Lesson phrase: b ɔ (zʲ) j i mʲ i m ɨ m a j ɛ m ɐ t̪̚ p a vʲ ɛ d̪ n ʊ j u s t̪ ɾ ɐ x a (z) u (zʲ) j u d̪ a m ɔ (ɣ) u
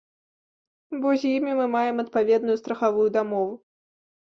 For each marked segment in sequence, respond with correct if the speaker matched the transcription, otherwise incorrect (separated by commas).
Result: correct, incorrect, incorrect, incorrect